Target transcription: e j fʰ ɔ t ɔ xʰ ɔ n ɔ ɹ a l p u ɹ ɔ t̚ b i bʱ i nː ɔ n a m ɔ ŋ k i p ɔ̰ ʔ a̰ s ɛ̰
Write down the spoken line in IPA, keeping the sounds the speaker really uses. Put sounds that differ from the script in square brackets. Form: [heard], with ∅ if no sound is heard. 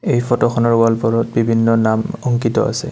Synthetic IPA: e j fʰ ɔ t ɔ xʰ ɔ n ɔ ɹ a l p [ɔ] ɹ ɔ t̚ b i bʱ i nː ɔ n a m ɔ ŋ k i [t] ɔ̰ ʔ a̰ s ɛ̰